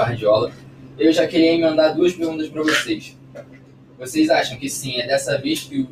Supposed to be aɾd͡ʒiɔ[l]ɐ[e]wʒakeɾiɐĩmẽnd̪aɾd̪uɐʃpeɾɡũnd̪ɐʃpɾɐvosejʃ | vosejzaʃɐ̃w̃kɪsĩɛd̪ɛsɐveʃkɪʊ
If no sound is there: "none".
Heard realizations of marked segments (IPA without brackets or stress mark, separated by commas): l, e